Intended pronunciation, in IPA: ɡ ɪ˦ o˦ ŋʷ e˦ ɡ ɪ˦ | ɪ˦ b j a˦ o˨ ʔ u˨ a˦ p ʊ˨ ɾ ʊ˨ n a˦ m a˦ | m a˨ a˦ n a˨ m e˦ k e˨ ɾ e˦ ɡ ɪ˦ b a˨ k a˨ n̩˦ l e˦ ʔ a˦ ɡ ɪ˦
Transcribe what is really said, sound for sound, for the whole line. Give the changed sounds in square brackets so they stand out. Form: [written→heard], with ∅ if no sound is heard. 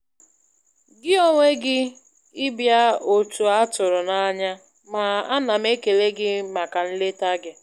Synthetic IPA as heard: ɡ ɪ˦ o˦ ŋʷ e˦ ɡ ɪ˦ | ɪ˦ b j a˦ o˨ [ʔ→t] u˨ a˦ [p→t] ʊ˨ ɾ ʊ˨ n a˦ [m→ɲ] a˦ | m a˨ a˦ n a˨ m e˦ k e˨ [ɾ→l] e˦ ɡ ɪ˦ [b→m] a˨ k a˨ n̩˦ l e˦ [ʔ→t] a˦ ɡ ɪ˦